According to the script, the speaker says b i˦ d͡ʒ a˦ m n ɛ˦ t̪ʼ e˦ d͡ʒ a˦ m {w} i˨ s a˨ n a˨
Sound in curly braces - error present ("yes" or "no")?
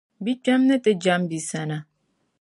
yes